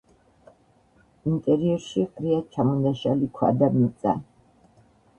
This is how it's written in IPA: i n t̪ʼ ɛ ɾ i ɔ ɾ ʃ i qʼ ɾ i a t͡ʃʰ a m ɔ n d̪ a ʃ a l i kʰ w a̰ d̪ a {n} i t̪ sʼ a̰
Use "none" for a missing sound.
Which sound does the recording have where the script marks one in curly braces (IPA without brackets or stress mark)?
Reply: m